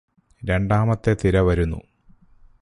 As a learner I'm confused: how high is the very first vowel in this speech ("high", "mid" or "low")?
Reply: mid